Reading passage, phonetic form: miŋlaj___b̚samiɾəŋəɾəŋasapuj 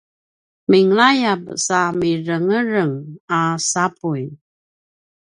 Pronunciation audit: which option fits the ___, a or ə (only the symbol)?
a